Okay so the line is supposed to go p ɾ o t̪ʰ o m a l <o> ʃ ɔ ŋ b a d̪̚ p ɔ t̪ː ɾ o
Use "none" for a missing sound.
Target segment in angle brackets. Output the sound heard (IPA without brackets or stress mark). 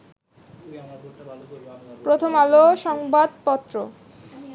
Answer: o